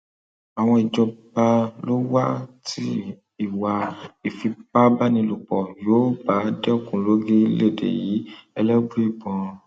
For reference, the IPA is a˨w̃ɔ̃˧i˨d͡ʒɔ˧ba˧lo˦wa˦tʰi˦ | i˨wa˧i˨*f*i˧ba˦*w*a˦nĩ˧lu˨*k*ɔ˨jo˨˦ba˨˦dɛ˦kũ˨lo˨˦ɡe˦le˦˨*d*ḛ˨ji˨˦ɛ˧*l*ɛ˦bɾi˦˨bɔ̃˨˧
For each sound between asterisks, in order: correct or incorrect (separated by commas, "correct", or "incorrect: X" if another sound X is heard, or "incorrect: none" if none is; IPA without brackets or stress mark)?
correct, incorrect: b, incorrect: k͡p, correct, correct